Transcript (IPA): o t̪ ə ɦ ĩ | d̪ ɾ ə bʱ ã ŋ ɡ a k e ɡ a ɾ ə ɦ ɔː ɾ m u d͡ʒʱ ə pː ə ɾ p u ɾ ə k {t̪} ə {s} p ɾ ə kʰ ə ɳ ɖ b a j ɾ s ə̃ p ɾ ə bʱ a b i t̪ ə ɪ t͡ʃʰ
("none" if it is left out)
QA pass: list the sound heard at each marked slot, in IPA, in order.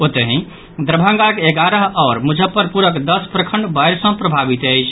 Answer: d̪, s

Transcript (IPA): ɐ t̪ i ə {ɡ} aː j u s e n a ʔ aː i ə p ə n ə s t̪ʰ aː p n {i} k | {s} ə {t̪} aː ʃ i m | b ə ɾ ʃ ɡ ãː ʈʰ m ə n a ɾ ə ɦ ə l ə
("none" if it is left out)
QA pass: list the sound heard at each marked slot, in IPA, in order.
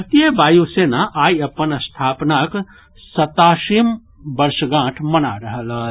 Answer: b, a, s, t̪

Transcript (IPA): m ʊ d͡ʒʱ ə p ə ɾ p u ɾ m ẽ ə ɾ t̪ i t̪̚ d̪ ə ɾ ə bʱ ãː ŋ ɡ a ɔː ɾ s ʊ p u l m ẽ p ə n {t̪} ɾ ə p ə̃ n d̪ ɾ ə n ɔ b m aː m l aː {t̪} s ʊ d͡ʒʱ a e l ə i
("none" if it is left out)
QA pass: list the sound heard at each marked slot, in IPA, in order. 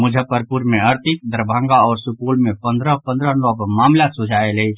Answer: d̪, t̪

